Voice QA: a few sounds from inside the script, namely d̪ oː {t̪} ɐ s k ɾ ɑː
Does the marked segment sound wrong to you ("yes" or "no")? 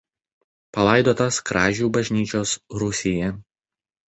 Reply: no